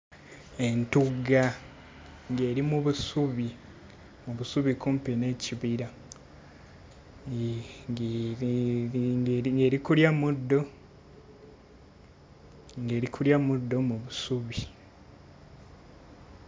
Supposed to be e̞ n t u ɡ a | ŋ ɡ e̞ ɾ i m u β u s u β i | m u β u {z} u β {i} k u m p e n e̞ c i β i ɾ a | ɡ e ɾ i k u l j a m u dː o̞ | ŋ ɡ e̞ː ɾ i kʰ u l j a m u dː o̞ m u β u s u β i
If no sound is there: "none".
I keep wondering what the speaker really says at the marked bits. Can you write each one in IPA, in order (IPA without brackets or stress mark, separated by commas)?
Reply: s, i